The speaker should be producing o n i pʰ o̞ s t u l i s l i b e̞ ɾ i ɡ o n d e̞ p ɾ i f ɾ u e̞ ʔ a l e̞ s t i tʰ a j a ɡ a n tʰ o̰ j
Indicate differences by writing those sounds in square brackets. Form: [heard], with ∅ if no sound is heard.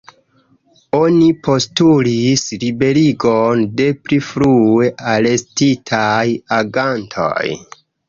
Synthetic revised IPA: o n i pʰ o̞ s t u l i s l i b e̞ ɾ i ɡ o n d e̞ p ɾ i f ɾ u e̞ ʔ a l e̞ s t i tʰ a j a ɡ a n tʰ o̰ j

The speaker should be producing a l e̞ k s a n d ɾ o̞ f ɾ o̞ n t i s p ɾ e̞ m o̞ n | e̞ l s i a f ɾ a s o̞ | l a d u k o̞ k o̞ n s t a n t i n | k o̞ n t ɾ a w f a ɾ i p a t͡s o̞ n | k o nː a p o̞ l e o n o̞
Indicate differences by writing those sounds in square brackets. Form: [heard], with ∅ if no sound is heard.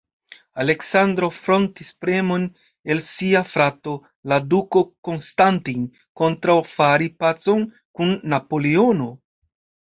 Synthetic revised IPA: a l e̞ k s a n d ɾ o̞ f ɾ o̞ n t i s p ɾ e̞ m o̞ n | e̞ l s i a f ɾ a [t] o̞ | l a d u k o̞ k o̞ n s t a n t i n | k o̞ n t ɾ a w f a ɾ i p a t͡s o̞ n | k [u] nː a p o̞ l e o n o̞

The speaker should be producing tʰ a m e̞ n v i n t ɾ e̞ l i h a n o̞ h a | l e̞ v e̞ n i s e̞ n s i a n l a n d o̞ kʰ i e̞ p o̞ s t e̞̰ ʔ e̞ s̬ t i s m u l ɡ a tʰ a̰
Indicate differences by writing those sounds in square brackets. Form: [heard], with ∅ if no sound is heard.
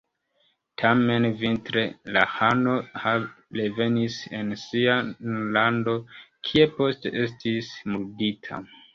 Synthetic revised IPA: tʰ a m e̞ n v i n t ɾ e̞ l [a] h a n o̞ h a | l e̞ v e̞ n i s e̞ n s i a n l a n d o̞ kʰ i e̞ p o̞ s t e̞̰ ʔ e̞ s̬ t i s m u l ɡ [i] tʰ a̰

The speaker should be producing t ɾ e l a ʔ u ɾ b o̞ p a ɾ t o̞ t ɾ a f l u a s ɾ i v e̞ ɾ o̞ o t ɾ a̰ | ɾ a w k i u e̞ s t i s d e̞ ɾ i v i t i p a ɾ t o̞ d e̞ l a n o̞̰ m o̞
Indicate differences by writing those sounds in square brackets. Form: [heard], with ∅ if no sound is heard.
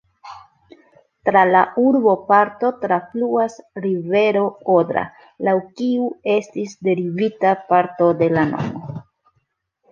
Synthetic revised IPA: t ɾ [a] l a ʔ u ɾ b o̞ p a ɾ t o̞ t ɾ a f l u a s ɾ i v e̞ ɾ o̞ o [d] ɾ a̰ | [l] a w k i u e̞ s t i s d e̞ ɾ i v i t [a] p a ɾ t o̞ d e̞ l a n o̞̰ m o̞

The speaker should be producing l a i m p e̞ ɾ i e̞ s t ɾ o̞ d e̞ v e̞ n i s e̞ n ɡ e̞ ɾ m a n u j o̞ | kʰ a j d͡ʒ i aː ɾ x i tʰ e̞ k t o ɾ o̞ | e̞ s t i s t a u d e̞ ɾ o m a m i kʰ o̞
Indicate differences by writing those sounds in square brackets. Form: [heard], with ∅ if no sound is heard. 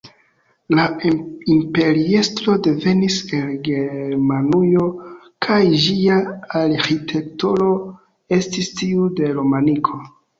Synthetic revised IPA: l a i m p e̞ ɾ i e̞ s t ɾ o̞ d e̞ v e̞ n i s e̞ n ɡ e̞ ɾ m a n u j o̞ | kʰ a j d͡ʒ i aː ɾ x i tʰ e̞ k t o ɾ o̞ | e̞ s t i s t [i] u d e̞ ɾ o m a [n] i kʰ o̞

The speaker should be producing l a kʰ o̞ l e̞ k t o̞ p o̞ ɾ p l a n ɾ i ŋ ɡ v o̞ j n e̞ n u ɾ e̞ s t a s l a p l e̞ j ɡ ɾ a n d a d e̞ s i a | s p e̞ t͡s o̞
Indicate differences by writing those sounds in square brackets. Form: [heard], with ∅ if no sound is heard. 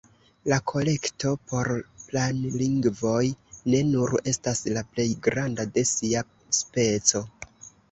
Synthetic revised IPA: l a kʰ o̞ l e̞ k t o̞ p o̞ ɾ p l a n [l] i ŋ ɡ v o̞ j n e̞ n u ɾ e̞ s t a s l a p l e̞ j ɡ ɾ a n d a d e̞ s i a | s p e̞ t͡s o̞

